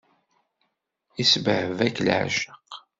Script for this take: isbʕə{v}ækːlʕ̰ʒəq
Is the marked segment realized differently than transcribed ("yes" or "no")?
no